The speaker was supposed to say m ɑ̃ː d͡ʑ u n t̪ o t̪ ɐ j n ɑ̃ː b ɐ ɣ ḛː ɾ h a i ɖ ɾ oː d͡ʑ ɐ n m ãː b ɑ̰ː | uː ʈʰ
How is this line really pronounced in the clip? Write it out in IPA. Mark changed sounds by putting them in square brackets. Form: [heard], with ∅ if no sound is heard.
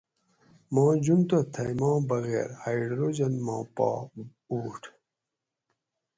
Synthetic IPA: m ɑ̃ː d͡ʑ u n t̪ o [t̪ʰ] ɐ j [m] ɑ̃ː b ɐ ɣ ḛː ɾ h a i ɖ ɾ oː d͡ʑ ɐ n m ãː [p] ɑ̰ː | uː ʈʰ